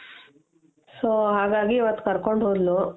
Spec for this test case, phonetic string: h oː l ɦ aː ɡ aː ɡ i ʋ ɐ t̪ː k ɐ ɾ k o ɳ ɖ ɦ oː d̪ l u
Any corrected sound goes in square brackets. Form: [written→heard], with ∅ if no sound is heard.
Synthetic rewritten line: [h→s] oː [l→∅] ɦ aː ɡ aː ɡ i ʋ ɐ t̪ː k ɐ ɾ k o ɳ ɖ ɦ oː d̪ l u